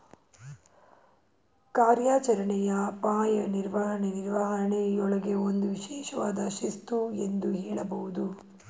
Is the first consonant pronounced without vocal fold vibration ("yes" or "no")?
yes